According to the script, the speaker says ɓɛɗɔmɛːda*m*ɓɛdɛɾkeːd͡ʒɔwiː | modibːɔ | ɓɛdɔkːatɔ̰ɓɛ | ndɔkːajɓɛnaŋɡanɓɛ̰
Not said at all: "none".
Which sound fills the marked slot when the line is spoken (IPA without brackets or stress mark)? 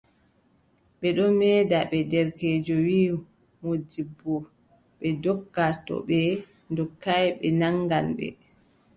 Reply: none